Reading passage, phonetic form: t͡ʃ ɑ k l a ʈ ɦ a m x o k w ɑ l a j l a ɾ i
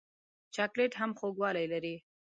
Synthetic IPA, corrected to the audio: t͡ʃ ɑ k l e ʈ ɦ a m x o ɡ w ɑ l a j l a ɾ i